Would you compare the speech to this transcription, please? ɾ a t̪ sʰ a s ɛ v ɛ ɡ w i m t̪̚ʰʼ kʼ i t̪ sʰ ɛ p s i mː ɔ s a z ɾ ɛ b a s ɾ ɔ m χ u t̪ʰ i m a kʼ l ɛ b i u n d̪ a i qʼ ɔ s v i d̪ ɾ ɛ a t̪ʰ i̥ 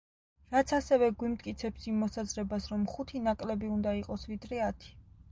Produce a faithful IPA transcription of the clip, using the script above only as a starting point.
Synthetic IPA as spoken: ɾ a t̪ sʰ a s ɛ v ɛ ɡ w i m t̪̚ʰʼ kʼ i t̪ sʰ ɛ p s i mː ɔ s a z ɾ ɛ b a s ɾ ɔ m χ u t̪ʰ i n a kʼ l ɛ b i u n d̪ a i qʼ ɔ s v i d̪ ɾ ɛ a t̪ʰ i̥